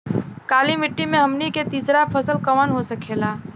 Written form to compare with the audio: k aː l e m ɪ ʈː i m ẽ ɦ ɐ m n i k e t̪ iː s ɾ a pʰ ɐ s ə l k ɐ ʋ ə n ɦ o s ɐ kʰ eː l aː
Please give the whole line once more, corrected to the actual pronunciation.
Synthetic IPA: k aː l i m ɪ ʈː i m ẽ ɦ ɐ m n i k e t̪ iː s ɾ a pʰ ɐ s ə l k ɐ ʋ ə n ɦ o s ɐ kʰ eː l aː